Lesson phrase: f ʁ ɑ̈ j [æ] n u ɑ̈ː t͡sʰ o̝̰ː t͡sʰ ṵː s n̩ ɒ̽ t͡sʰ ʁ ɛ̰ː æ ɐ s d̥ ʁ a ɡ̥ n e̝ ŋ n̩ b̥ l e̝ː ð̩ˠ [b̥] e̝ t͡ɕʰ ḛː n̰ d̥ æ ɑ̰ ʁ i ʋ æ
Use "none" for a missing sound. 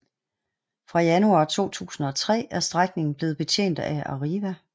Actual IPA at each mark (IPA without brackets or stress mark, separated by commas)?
æ, b̥